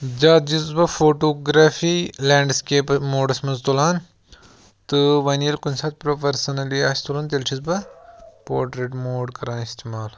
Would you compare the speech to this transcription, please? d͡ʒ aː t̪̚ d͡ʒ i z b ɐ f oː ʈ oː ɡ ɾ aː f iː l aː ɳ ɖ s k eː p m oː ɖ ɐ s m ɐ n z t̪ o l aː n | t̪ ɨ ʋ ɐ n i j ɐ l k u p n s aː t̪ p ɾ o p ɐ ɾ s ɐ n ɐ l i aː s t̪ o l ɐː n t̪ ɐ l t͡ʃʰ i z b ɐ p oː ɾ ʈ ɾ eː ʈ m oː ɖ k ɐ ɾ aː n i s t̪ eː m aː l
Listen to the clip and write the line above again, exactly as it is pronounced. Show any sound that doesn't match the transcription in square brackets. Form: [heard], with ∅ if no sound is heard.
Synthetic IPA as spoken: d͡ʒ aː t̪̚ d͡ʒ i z b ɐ f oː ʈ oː ɡ ɾ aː f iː l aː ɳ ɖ s k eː p m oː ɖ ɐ s m ɐ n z t̪ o l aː n | t̪ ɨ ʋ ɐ n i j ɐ l k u [∅] n s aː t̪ p ɾ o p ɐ ɾ s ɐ n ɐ l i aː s t̪ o l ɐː n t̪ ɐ l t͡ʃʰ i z b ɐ p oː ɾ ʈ ɾ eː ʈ m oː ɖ k ɐ ɾ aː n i s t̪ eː m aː l